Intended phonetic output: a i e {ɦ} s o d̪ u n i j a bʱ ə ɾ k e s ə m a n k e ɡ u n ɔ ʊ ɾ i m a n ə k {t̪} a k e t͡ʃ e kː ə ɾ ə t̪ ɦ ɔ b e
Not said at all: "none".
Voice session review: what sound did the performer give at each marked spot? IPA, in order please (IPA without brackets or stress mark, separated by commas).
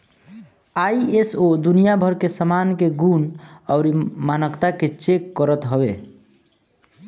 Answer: none, t̪